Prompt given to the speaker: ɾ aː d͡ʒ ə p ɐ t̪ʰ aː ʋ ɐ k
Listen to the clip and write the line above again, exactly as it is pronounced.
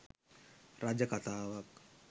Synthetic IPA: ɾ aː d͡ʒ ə k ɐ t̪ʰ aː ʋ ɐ k

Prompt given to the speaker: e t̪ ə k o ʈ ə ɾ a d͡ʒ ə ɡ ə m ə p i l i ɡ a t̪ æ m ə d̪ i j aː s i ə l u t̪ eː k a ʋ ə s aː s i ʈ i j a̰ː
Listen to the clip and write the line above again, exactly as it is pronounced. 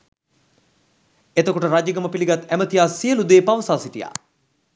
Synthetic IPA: e t̪ ə k o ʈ ə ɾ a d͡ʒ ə ɡ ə m ə p i l i ɡ a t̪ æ m ə t̪ i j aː s i ə l u d̪ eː p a ʋ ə s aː s i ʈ i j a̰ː

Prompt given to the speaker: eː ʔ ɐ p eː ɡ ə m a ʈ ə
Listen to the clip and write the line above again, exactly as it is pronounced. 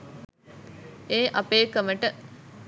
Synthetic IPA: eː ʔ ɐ p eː k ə m ə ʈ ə

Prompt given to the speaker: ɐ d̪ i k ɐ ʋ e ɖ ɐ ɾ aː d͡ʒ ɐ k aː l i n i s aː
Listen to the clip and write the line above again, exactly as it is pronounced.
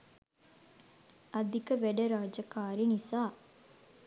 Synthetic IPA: ɐ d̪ i k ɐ ʋ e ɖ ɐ ɾ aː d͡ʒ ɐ k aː ɾ i n i s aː

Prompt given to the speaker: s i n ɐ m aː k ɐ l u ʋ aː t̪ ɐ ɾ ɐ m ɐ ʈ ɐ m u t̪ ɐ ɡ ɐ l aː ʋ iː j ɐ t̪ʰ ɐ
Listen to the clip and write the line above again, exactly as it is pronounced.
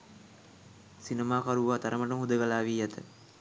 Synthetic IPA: s i n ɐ m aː k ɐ ɾ u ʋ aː t̪ ɐ ɾ ɐ m ɐ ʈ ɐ m u d̪ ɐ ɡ ɐ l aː ʋ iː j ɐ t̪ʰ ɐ

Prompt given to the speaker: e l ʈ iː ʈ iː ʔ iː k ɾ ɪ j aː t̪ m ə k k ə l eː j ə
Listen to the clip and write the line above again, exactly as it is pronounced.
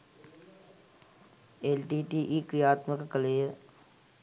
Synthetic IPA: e l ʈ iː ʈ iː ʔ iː k ɾ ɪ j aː t̪ m ə k k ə l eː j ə

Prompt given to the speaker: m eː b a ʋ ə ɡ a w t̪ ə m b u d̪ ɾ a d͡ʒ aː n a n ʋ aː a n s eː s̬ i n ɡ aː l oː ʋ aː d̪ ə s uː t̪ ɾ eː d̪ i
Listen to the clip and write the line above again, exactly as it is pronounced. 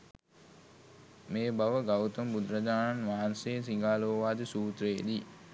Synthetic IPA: m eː b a ʋ ə ɡ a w t̪ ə m b u d̪ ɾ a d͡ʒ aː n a n ʋ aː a n s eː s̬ i ŋ ɡ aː l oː ʋ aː d̪ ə s uː t̪ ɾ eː d̪ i

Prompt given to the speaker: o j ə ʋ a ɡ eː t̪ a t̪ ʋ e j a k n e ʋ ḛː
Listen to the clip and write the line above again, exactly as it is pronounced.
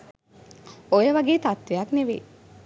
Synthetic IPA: o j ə ʋ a ɡ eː t̪ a t̪ ʋ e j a k n e ʋ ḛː

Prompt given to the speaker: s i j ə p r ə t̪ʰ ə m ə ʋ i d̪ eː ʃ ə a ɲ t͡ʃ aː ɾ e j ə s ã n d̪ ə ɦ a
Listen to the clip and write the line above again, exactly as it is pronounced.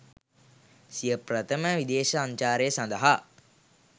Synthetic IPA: s i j ə p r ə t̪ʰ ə m ə ʋ i d̪ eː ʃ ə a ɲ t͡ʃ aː ɾ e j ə s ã n d̪ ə ɦ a

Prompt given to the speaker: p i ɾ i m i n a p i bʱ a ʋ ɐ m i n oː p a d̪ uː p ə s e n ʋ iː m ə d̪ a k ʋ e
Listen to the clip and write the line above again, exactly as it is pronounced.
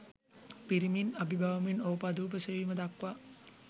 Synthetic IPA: p i ɾ i m i n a b i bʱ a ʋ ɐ m i n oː p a d̪ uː p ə s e ʋ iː m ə d̪ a k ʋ a

